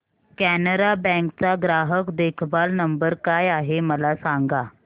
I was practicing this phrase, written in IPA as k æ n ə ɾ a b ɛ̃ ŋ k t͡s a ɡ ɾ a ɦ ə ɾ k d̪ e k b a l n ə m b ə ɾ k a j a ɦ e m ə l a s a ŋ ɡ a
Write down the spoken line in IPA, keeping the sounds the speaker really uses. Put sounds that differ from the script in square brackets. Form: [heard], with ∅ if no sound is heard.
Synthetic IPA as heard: k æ n ə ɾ a b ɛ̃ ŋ k t͡s a ɡ ɾ a ɦ ə [∅] k d̪ e [kʰ] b a l n ə m b ə ɾ k a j a ɦ e m ə l a s a ŋ ɡ a